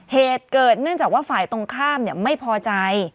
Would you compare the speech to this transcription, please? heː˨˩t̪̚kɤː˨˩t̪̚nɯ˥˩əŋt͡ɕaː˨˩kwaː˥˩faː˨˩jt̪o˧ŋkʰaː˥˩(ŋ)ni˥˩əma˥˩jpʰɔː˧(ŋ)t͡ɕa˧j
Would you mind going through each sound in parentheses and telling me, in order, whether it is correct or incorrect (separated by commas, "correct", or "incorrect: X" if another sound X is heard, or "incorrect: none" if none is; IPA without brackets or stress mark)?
incorrect: m, incorrect: none